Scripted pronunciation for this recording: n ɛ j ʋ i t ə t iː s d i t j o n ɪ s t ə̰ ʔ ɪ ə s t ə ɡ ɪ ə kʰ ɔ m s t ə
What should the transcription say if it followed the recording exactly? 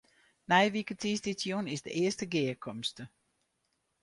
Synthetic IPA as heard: n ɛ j ʋ i k ə t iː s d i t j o n ɪ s d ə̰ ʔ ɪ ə s t ə ɡ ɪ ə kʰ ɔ m s t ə